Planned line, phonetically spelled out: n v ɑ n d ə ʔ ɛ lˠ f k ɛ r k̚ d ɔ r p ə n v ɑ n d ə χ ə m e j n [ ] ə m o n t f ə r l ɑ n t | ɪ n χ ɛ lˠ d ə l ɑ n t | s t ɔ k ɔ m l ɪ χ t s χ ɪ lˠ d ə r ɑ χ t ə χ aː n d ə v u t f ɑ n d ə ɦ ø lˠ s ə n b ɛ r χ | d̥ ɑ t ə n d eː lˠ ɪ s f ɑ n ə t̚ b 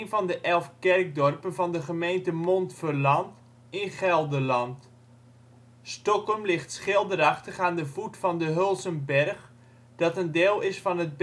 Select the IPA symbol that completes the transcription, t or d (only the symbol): t